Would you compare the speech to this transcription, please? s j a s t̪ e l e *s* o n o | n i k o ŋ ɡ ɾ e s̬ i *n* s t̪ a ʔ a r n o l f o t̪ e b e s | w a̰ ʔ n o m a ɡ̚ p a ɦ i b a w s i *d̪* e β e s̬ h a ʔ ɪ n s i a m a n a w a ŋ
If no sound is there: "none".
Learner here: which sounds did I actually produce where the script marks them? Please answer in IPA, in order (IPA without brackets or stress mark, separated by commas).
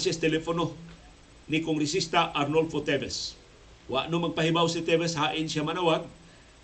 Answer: f, none, t̪